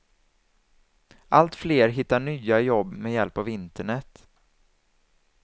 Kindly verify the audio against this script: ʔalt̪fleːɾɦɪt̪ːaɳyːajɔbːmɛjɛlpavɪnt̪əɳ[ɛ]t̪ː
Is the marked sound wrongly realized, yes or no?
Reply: no